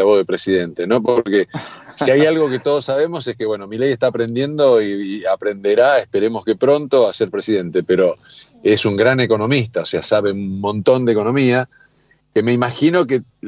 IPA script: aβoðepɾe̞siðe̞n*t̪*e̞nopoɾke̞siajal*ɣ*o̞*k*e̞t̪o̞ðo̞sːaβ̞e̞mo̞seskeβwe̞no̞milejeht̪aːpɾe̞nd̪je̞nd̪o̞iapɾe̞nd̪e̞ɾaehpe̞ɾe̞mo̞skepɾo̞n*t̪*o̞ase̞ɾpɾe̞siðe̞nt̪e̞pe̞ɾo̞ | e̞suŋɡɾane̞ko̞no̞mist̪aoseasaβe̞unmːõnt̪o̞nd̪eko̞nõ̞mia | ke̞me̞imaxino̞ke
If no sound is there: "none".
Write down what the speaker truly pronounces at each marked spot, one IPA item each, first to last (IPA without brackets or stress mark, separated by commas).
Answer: t̪, ɣ, k, t̪